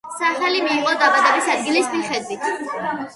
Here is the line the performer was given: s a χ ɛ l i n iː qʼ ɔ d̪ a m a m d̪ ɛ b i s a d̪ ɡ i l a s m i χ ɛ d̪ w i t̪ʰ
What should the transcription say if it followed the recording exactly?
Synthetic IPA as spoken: s a χ ɛ l i m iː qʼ ɔ d̪ a b a d̪ ɛ b i s a d̪ ɡ i l i s m i χ ɛ d̪ w i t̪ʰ